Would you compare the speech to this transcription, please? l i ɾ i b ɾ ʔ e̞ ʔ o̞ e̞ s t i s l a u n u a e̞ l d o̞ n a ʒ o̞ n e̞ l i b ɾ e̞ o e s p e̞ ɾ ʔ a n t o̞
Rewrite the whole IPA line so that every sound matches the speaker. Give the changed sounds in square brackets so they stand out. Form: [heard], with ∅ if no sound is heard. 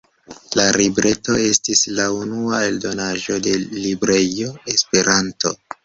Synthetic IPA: l [a] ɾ i b ɾ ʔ e̞ [t] o̞ e̞ s t i s l a u n u a e̞ l d o̞ n a ʒ o̞ [d] e̞ l i b ɾ e̞ o e s p e̞ ɾ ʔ a n t o̞